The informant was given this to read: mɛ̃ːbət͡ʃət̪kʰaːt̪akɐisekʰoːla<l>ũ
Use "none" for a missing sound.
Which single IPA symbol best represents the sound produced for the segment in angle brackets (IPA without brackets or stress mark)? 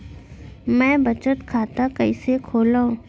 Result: none